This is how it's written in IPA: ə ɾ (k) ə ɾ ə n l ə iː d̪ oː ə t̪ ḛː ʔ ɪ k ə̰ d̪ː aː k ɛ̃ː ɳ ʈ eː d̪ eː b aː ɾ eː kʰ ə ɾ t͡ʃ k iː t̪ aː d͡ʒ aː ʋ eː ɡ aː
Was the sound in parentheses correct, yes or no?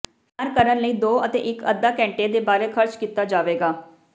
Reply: yes